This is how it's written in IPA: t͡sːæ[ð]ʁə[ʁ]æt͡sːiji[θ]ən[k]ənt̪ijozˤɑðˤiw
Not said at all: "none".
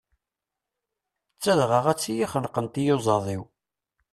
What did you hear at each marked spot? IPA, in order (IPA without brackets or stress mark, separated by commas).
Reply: ð, ʁ, χ, q